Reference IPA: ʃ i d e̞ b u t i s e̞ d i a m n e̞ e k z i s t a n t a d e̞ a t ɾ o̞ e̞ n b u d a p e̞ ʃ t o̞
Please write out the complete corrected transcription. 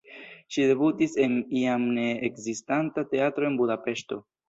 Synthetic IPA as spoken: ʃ i d e̞ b u t i s e̞ n i a m n e̞ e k z i s t a n t a t e̞ a t ɾ o̞ e̞ n b u d a p e̞ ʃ t o̞